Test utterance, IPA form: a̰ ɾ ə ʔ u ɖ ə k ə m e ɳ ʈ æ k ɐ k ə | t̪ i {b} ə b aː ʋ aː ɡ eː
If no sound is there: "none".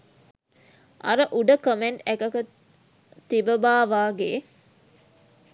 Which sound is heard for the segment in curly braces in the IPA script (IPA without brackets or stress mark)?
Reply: b